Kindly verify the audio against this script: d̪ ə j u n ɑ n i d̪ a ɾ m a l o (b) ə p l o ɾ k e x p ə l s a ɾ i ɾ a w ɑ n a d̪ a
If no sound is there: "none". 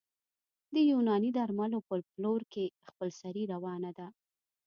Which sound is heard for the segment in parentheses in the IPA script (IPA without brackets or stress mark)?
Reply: p